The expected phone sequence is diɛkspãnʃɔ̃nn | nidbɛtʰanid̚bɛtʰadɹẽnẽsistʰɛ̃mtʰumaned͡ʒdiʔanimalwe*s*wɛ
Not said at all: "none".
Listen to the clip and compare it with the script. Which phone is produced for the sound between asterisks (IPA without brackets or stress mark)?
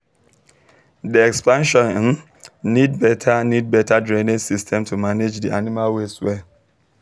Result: s